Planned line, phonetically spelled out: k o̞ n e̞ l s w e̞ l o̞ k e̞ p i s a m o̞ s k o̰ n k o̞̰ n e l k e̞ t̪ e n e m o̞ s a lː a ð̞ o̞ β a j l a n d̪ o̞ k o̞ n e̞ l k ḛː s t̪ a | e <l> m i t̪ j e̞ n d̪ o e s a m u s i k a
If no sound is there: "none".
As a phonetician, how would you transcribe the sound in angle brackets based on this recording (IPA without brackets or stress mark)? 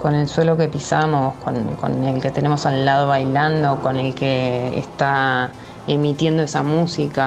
none